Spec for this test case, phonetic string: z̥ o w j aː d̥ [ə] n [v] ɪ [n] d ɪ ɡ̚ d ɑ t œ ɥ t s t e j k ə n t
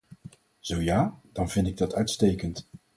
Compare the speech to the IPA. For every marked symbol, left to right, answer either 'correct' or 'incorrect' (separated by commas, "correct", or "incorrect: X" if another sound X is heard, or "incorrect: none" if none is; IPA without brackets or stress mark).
incorrect: ɑ, correct, correct